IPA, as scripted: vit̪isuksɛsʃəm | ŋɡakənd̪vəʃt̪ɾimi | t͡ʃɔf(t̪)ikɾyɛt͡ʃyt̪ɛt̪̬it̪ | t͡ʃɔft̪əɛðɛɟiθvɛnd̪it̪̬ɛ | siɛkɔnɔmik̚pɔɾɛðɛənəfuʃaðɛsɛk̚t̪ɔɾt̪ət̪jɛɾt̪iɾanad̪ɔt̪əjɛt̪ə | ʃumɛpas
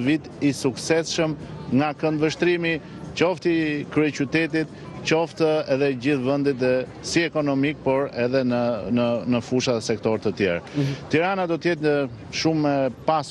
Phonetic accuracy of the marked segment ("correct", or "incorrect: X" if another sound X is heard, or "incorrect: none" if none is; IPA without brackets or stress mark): correct